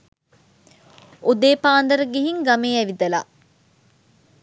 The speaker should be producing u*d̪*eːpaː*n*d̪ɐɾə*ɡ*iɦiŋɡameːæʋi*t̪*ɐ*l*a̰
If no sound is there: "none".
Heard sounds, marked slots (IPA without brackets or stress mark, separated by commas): d̪, n, ɡ, d̪, l